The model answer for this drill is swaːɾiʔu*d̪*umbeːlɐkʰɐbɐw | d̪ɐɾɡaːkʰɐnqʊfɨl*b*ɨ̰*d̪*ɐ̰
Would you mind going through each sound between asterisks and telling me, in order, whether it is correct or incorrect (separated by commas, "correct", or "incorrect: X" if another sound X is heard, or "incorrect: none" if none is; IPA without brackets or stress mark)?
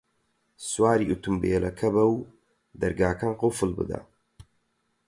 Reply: incorrect: t̪, correct, correct